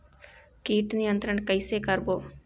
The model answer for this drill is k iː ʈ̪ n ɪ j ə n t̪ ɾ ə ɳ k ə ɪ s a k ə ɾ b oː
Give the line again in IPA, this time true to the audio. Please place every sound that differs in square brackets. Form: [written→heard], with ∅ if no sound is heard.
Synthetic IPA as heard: k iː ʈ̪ n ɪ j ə n t̪ ɾ ə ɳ k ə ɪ s [a→e] k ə ɾ b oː